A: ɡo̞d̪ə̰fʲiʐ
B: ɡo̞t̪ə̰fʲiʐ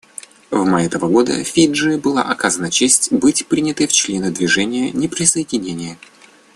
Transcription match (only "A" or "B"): A